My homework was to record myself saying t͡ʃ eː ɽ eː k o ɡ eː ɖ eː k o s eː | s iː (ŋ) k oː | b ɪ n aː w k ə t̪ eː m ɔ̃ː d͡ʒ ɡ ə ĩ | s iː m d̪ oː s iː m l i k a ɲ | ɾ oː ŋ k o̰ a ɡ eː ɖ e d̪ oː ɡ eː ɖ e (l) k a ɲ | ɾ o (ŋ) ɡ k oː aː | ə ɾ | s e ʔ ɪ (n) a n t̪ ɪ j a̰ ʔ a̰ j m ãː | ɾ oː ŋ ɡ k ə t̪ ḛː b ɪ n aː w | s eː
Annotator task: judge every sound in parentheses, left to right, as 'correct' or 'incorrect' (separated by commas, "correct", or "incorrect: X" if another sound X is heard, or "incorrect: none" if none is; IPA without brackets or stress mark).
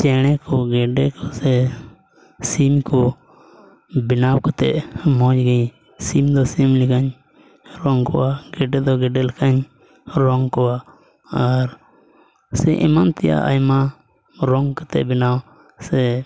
incorrect: m, correct, correct, incorrect: m